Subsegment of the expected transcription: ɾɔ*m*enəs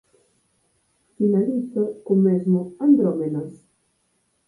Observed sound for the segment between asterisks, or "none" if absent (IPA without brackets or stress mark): m